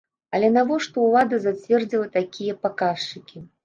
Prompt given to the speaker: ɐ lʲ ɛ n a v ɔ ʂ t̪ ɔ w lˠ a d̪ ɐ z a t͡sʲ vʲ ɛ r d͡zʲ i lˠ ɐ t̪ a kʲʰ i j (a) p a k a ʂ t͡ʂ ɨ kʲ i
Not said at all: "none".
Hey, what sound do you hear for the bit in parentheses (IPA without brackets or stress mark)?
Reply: ɐ